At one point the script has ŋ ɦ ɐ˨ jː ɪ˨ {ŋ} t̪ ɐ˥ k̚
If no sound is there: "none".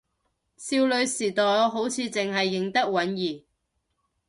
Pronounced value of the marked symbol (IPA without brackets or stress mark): ŋ